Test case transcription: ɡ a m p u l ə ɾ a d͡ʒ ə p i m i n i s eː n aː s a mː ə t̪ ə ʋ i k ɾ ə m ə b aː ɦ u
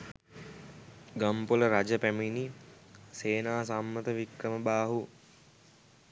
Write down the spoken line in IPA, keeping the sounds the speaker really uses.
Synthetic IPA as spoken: ɡ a m p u l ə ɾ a d͡ʒ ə p æ m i n i s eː n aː s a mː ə t̪ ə ʋ i k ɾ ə m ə b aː ɦ u